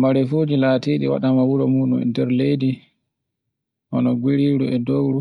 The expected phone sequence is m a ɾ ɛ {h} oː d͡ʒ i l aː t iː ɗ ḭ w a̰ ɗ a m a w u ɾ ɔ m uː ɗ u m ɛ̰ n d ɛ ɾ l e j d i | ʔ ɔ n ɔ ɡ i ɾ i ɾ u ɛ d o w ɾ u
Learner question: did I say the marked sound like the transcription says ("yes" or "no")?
no